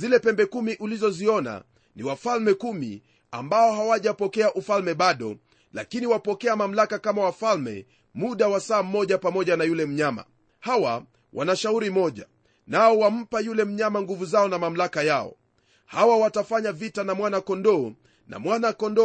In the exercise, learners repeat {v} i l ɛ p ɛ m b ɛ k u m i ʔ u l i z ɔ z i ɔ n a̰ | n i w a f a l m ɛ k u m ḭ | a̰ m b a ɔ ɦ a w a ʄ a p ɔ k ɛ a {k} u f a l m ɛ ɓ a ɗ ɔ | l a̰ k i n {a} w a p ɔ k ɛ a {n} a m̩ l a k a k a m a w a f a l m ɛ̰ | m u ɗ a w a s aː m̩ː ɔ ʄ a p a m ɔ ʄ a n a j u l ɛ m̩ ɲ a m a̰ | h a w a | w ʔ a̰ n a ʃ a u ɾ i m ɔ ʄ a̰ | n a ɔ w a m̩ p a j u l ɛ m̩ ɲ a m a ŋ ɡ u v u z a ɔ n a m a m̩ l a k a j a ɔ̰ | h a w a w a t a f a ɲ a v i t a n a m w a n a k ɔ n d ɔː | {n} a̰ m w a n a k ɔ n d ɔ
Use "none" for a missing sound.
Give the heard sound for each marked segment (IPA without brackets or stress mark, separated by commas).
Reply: z, ʔ, i, m, n